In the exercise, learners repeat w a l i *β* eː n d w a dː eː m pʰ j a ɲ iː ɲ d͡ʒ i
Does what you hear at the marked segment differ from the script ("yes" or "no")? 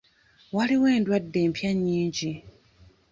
yes